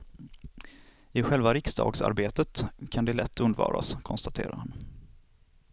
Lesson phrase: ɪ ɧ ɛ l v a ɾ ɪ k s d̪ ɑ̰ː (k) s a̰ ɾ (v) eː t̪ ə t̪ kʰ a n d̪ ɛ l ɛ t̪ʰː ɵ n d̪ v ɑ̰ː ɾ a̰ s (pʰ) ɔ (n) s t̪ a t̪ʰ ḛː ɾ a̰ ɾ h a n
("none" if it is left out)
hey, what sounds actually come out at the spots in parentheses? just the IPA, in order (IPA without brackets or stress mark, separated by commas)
ɡ, b, kʰ, n